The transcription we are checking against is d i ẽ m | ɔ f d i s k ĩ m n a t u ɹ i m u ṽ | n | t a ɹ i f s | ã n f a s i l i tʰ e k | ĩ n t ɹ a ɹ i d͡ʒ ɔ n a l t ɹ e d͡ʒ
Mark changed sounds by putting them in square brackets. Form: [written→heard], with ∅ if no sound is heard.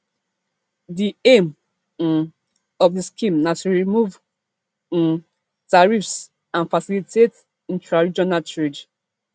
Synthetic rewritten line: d i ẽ m | ɔ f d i s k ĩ m n a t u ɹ i m u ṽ | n | t a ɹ i f s | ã n f a s i l i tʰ e [k→t] | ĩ n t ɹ a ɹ i d͡ʒ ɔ n a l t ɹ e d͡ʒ